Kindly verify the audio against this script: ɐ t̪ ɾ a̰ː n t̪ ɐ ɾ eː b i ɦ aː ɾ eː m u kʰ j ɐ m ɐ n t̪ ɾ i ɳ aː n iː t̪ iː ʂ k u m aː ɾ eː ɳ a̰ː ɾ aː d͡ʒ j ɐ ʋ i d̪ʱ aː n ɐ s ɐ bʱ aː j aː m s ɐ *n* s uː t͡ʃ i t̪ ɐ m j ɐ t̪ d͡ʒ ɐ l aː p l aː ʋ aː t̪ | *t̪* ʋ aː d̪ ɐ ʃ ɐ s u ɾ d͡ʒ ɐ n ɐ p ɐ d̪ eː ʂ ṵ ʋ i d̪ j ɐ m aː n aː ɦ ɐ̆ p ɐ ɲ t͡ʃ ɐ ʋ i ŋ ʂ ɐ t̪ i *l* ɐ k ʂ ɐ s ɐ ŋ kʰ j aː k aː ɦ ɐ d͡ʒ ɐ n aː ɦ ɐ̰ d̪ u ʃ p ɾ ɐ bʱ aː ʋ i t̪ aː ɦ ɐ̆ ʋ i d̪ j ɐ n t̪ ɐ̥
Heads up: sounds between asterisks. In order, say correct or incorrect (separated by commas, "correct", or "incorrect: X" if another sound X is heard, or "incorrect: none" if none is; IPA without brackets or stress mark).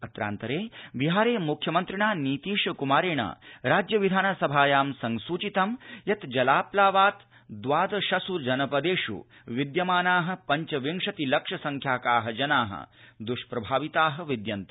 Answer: incorrect: ŋ, incorrect: d̪, correct